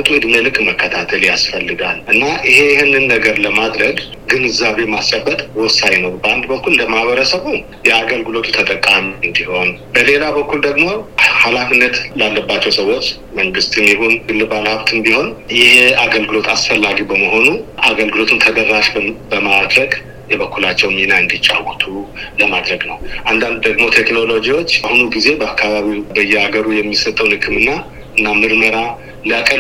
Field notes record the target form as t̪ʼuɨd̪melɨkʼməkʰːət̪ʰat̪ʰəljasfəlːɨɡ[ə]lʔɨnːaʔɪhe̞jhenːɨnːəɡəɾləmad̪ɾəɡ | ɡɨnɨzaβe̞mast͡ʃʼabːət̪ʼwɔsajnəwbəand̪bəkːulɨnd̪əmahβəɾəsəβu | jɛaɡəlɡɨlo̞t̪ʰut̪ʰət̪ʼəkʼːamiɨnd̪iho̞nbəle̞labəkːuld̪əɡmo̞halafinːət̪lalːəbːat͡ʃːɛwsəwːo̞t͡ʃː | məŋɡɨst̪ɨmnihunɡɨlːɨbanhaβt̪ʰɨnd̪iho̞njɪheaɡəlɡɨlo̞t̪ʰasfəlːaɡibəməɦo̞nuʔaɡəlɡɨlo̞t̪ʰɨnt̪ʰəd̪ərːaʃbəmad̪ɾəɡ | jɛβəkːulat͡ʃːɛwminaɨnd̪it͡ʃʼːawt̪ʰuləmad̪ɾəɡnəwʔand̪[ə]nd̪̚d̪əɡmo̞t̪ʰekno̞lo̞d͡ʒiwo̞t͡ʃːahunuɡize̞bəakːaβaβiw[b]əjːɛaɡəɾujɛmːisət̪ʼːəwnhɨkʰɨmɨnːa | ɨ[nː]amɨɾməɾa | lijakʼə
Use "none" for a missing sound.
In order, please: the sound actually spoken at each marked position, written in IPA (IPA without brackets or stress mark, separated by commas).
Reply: a, a, b, nː